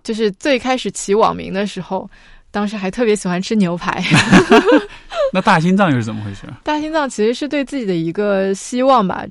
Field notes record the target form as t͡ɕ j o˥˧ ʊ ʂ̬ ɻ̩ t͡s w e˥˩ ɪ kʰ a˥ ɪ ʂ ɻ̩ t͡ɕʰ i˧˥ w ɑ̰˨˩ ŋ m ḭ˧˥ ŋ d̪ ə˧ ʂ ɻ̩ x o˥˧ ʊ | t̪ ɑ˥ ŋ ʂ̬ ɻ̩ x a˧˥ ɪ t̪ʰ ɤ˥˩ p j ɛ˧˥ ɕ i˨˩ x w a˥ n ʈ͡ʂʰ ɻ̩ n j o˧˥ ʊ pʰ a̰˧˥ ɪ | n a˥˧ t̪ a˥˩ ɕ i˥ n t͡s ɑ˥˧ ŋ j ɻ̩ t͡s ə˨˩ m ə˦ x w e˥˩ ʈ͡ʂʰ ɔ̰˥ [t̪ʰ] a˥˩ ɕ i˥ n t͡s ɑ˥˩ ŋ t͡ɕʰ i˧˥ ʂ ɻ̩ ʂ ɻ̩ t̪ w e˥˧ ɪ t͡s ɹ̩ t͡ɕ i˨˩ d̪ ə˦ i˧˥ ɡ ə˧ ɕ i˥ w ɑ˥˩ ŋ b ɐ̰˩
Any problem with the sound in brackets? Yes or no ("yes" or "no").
yes